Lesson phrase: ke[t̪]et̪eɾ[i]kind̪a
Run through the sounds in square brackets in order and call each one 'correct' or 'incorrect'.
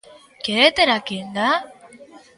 incorrect: none, incorrect: a

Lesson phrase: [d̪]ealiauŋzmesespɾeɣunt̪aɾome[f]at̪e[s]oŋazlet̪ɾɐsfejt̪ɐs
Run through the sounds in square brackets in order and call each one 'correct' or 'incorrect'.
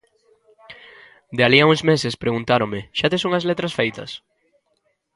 correct, incorrect: ʃ, correct

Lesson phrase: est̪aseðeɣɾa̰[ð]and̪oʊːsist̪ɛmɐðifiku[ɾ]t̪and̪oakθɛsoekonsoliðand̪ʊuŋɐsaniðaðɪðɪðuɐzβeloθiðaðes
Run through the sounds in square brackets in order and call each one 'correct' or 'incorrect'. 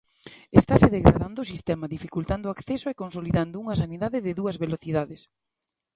correct, incorrect: l

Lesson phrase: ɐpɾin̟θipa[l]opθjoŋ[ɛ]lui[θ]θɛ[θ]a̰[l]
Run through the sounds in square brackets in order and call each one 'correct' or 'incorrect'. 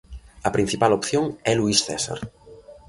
correct, correct, incorrect: s, incorrect: s, incorrect: ɾ

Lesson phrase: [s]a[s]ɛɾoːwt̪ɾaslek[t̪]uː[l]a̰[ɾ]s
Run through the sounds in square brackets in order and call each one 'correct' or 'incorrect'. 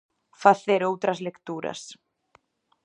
incorrect: θ, incorrect: θ, correct, incorrect: ɾ, incorrect: none

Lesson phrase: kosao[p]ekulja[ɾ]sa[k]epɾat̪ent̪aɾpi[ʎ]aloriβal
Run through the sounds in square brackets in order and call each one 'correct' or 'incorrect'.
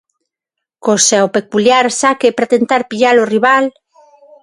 correct, correct, correct, correct

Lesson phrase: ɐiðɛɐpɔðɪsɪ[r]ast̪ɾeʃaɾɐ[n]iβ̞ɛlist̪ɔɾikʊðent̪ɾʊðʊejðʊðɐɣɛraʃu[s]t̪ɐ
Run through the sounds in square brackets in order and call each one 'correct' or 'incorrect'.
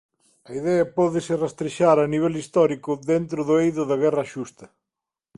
correct, correct, correct

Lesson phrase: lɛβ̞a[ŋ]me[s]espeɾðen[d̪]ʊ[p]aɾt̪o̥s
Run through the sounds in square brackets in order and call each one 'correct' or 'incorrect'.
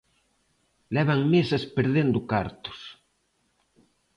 correct, correct, correct, incorrect: k

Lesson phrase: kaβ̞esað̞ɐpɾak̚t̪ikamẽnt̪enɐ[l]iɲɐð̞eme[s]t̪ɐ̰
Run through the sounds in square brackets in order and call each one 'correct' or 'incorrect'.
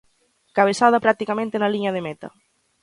correct, incorrect: none

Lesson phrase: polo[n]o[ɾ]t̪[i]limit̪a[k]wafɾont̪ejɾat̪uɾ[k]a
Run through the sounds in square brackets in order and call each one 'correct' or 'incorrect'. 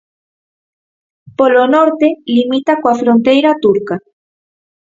correct, correct, incorrect: e, correct, correct

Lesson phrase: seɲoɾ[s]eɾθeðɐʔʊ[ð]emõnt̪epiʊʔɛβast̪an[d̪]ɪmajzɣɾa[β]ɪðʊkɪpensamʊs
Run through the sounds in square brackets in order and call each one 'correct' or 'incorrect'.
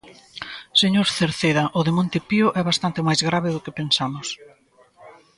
incorrect: θ, correct, incorrect: t̪, correct

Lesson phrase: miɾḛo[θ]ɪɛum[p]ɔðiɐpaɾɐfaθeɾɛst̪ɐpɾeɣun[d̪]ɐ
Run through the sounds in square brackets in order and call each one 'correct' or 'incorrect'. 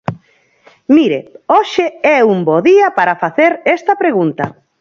incorrect: ʃ, incorrect: b, incorrect: t̪

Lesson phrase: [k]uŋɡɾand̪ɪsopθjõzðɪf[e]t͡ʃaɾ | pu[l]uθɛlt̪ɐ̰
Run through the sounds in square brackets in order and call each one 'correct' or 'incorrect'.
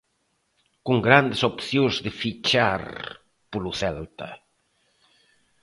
correct, incorrect: i, correct

